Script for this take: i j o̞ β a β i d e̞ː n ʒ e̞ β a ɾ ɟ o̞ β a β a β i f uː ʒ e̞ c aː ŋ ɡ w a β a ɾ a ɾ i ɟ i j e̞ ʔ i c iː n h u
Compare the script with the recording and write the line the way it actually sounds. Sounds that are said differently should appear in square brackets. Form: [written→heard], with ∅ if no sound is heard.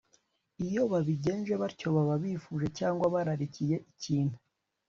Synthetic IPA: i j o̞ β a β i [d→ɟ] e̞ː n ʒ e̞ β a ɾ [ɟ→c] o̞ β a β a β i f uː ʒ e̞ c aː ŋ ɡ w a β a ɾ a ɾ i [ɟ→c] i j e̞ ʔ i c iː n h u